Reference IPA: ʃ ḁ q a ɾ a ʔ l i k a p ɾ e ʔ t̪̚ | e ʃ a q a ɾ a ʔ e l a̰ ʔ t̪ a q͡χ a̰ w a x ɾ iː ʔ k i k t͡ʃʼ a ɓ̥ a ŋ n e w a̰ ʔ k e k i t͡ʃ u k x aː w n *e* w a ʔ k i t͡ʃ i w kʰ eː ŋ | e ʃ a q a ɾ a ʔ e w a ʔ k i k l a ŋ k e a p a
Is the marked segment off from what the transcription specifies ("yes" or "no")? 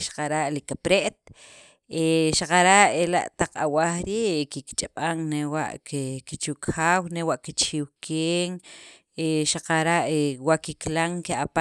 no